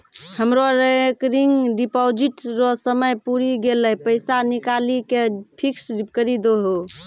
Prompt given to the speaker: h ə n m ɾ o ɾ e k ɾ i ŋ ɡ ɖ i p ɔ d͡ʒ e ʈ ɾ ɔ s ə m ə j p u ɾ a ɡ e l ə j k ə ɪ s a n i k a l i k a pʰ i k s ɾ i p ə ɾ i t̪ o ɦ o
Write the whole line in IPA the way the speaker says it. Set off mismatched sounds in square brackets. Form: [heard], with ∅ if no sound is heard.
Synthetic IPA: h ə [∅] m ɾ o ɾ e k ɾ i ŋ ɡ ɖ i p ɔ d͡ʒ [i] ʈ ɾ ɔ s ə m ə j p u ɾ [i] ɡ e l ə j [p] ə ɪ s a n i k a l i k [e] pʰ i k s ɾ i [k] ə ɾ i [d̪] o ɦ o